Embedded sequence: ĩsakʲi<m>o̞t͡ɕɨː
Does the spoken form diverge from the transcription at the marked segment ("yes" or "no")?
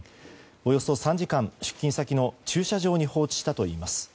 yes